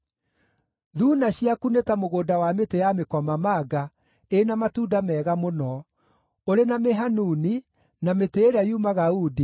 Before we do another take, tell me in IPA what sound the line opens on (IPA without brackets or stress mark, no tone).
ð